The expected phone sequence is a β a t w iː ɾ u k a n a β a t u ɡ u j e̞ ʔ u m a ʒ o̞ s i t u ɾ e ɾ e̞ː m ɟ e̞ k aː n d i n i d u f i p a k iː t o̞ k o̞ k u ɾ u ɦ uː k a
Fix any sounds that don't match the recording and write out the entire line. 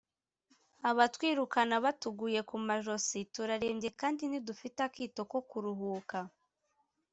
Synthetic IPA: a β a t w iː ɾ u k a n a β a t u ɡ u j e̞ k u m a ʒ o̞ s i t u ɾ a ɾ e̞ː m ɟ e̞ k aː n d i n i d u f i t a k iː t o̞ k o̞ k u ɾ u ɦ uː k a